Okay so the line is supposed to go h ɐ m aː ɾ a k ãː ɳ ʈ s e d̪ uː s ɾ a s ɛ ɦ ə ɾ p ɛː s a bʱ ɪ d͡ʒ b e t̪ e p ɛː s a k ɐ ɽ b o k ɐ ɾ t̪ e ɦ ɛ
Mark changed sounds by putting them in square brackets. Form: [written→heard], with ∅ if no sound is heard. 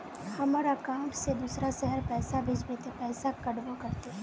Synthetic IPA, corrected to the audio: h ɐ m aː ɾ a k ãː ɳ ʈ s e d̪ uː s ɾ a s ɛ ɦ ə ɾ p ɛː s a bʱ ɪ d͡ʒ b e t̪ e p ɛː s a k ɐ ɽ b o k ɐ ɾ t̪ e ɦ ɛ